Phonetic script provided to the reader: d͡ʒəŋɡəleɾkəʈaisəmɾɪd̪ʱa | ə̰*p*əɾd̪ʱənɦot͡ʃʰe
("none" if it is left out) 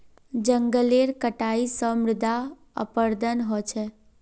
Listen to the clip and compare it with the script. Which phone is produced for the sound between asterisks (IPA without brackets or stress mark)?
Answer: p